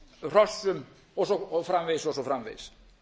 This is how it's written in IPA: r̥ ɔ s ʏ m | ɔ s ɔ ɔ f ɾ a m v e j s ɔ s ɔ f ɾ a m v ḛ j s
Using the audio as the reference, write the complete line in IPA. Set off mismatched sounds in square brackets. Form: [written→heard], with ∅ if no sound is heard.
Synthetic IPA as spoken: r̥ ɔ s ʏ m | ɔ s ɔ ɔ f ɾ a m v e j s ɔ s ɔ f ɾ a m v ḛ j s